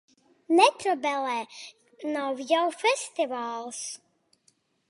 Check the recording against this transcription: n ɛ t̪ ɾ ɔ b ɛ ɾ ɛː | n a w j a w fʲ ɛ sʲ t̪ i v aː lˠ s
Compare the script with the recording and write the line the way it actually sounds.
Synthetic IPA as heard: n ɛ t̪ ɾ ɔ b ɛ l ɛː | n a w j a w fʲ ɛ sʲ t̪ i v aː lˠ s